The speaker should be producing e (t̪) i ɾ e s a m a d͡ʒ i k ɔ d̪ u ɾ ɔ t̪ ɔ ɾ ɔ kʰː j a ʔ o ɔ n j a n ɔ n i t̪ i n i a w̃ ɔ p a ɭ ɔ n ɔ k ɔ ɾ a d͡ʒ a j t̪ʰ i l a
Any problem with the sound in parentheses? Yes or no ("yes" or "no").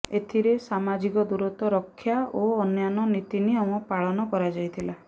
yes